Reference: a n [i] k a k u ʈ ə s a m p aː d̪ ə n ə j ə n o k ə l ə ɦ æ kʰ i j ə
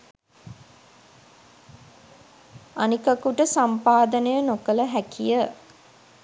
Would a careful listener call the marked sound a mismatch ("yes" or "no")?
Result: no